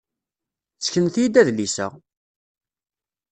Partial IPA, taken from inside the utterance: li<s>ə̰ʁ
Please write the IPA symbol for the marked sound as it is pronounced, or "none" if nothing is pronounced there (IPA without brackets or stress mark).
s